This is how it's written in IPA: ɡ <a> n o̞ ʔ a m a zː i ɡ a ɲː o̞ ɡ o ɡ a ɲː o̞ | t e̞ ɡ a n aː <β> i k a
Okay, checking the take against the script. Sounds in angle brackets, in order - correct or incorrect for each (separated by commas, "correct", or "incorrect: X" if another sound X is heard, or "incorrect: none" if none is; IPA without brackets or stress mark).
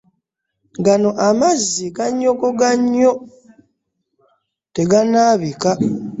correct, correct